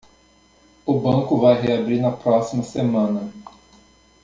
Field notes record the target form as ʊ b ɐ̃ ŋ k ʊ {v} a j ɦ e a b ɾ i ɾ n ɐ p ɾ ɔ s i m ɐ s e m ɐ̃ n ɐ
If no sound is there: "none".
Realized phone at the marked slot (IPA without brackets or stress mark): v